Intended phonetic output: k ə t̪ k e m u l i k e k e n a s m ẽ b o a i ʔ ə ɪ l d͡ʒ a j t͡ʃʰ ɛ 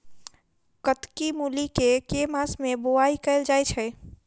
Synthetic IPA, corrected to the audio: k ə t̪ k i m u l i k e k e m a s m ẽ b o a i k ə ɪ l d͡ʒ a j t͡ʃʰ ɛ